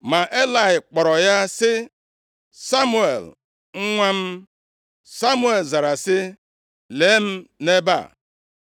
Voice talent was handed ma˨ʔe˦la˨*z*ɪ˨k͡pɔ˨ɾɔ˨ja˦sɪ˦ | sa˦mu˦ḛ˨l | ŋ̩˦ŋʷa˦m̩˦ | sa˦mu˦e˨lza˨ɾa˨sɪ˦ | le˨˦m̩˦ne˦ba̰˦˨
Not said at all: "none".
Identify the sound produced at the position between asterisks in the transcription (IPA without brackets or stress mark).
none